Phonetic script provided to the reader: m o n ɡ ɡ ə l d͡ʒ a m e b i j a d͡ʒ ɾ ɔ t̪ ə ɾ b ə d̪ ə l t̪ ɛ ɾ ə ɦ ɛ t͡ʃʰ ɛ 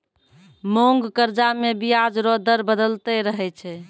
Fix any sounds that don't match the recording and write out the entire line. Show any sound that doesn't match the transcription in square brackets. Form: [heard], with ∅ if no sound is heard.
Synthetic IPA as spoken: m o [ŋ] ɡ [k] ə [ɾ] d͡ʒ a m e b i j a d͡ʒ ɾ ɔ [d̪] ə ɾ b ə d̪ ə l t̪ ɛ ɾ ə ɦ ɛ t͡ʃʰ ɛ